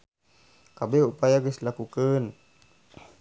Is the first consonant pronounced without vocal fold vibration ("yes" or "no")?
yes